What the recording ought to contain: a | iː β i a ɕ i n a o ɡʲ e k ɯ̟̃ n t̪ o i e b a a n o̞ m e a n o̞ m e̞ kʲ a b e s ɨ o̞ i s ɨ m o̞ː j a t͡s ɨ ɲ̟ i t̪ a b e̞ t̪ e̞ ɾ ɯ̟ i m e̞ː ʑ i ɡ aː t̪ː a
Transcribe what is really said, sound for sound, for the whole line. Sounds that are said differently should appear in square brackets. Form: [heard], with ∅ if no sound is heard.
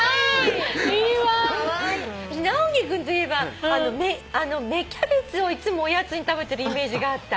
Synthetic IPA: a | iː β [a] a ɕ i n a o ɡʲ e k ɯ̟̃ n t̪ o i e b a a n o̞ m e a n o̞ m e̞ kʲ a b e [t͡s] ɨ o̞ i [t͡s] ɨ m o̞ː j a t͡s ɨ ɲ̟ i t̪ a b e̞ t̪ e̞ ɾ ɯ̟ i m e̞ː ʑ i ɡ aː t̪ː a